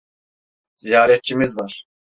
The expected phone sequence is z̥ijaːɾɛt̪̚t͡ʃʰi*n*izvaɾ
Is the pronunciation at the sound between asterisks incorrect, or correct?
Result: incorrect